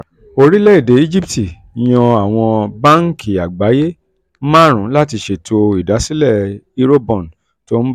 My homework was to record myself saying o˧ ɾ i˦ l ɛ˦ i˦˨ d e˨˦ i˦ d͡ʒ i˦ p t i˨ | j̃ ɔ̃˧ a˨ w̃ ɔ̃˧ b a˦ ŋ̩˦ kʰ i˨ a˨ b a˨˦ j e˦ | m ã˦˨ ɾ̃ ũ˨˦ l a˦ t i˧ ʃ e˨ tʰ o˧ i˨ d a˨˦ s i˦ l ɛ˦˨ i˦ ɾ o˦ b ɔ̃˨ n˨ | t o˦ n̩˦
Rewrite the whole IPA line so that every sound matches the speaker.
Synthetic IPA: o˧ ɾ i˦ l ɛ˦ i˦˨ d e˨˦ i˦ d͡ʒ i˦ p t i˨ | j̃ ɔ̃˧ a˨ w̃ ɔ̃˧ b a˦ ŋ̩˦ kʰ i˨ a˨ ɡ͡b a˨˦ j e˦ | m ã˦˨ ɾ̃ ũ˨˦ l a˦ t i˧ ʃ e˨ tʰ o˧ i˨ d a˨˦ s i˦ l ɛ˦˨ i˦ ɾ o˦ b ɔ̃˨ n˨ | t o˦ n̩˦